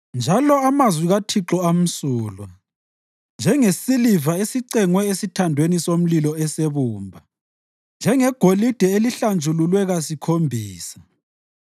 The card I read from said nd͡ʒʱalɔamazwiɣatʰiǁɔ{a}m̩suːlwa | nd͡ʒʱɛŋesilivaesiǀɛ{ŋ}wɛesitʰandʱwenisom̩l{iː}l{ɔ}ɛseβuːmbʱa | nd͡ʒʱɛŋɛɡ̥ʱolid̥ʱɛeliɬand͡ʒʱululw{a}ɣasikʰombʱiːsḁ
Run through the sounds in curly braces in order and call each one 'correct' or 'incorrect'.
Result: correct, correct, incorrect, correct, incorrect

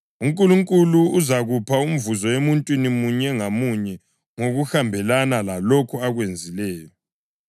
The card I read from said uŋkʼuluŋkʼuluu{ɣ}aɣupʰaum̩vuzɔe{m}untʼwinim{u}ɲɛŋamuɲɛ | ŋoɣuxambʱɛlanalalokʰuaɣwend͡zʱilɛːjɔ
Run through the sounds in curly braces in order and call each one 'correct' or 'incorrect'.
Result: incorrect, correct, correct

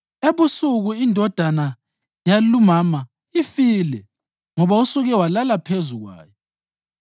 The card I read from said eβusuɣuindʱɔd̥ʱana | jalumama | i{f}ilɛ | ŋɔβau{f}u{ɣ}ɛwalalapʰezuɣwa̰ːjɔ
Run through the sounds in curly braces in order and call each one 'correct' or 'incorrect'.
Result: correct, incorrect, correct

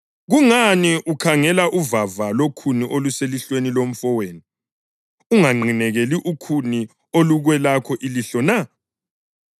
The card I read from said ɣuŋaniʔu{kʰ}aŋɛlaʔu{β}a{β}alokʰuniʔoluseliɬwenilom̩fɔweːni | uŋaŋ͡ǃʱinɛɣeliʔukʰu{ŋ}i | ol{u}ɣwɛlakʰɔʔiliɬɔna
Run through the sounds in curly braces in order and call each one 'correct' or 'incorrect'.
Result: correct, incorrect, incorrect, incorrect, correct

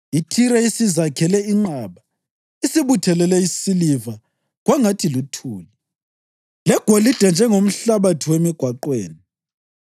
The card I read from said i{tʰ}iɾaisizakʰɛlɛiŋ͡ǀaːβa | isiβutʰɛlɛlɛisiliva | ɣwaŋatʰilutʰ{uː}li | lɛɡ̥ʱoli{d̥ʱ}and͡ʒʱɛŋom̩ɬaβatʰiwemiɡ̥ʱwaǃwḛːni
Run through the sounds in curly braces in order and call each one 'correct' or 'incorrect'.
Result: correct, correct, correct

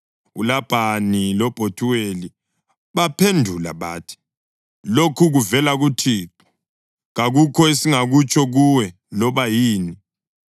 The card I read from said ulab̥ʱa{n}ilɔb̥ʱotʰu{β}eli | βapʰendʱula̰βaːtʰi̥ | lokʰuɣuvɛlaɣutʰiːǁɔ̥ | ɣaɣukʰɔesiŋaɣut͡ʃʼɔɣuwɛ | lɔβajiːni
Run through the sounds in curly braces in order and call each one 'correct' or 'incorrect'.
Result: correct, incorrect

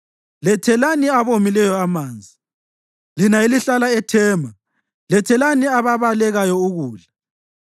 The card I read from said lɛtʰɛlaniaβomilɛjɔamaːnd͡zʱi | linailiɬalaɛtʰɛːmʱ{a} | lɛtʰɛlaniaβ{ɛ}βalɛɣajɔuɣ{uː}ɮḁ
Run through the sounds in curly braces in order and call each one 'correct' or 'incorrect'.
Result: correct, incorrect, correct

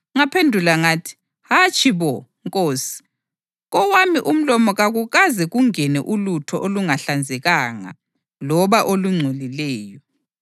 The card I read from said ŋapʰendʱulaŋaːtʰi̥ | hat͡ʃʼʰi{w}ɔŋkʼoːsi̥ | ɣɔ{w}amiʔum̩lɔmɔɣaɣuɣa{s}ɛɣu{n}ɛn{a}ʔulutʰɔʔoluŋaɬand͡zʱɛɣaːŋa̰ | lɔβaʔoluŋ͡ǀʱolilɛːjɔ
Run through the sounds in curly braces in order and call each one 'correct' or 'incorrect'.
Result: incorrect, correct, incorrect, incorrect, incorrect

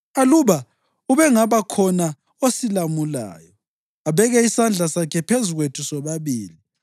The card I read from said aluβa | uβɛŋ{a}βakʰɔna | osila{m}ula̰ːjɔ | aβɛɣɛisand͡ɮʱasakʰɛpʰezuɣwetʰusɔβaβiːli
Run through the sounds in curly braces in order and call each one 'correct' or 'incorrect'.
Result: correct, correct

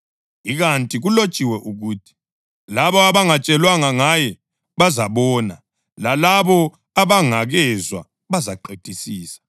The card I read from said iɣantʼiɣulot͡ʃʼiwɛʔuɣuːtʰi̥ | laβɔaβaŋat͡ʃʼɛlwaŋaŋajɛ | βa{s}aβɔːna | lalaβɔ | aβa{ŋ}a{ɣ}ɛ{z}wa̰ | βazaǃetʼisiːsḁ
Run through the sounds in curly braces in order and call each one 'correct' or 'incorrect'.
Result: incorrect, correct, correct, correct

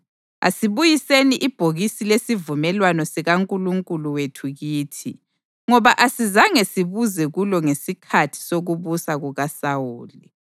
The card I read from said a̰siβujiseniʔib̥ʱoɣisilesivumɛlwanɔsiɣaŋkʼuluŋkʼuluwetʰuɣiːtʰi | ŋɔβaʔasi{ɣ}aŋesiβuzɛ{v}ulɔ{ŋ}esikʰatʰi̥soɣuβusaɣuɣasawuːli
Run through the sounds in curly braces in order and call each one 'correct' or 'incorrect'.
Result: incorrect, incorrect, correct

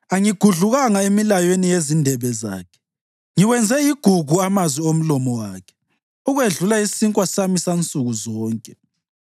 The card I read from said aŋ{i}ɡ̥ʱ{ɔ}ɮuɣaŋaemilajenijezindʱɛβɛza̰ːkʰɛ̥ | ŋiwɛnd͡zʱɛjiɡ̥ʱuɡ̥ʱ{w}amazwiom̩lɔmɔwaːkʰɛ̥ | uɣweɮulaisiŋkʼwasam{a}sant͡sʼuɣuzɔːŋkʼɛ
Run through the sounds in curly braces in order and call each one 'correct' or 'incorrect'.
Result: correct, incorrect, incorrect, incorrect

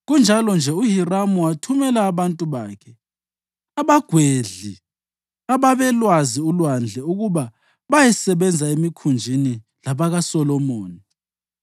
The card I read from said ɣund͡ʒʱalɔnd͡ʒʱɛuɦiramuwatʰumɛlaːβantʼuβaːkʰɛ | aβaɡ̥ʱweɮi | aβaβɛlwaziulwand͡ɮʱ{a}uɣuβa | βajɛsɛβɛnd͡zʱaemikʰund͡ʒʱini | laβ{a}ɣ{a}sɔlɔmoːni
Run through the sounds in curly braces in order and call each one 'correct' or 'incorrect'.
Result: incorrect, correct, correct

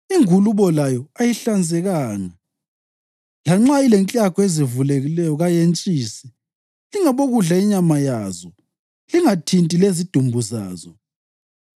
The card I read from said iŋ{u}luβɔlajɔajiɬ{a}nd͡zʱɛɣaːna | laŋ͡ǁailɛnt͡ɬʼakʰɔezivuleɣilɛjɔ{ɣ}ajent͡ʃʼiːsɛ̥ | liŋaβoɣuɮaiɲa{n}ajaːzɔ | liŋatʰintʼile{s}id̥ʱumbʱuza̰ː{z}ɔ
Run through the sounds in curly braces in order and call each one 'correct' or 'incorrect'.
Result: correct, correct, correct, incorrect, incorrect, correct

